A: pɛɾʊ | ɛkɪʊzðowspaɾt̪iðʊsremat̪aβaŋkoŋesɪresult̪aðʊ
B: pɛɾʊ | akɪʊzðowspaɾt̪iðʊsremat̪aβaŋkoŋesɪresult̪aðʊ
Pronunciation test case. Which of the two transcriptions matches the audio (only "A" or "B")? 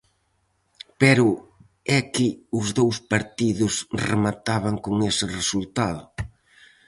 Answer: A